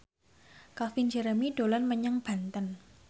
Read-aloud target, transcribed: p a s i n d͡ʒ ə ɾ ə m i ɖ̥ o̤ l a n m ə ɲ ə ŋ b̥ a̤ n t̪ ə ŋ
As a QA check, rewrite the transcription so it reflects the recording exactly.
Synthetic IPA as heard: k a f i n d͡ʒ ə ɾ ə m i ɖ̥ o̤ l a n m ə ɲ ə ŋ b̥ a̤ n t̪ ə n

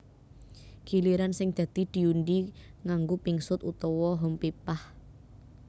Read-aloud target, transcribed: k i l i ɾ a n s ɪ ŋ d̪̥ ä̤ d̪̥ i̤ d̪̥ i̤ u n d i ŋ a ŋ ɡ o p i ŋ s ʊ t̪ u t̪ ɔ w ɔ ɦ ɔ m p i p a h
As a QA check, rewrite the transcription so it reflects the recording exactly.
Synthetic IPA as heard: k i l i ɾ a n s ɪ ŋ d̪̥ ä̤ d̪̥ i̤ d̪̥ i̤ u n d i ŋ a ŋ ɡ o p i ŋ s ʊ t̪ u t̪ ɔ w ɔ ɦ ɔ m p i p a h

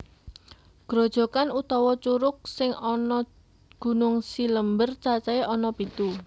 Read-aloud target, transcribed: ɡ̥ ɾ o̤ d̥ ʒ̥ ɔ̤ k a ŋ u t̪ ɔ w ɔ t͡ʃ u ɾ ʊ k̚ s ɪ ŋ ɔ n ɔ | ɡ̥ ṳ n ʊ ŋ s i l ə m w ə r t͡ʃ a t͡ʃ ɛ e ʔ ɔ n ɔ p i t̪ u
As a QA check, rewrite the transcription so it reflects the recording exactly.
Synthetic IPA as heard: ɡ̥ ɾ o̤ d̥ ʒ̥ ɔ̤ k a n u t̪ ɔ w ɔ t͡ʃ u ɾ ʊ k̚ s ɪ ŋ ɔ n ɔ | ɡ̥ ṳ n ʊ ŋ s i l ə m b ə r t͡ʃ a t͡ʃ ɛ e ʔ ɔ n ɔ p i t̪ u

